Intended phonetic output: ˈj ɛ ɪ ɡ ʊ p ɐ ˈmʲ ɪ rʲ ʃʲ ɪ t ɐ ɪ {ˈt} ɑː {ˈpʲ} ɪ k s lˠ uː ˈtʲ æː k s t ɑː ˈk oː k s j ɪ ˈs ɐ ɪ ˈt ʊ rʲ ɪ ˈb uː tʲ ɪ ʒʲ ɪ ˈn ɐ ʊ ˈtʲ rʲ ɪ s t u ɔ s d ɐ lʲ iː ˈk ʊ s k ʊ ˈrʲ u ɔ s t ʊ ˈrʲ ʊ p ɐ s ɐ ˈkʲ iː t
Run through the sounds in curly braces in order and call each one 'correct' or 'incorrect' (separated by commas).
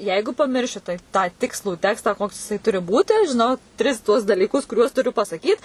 correct, incorrect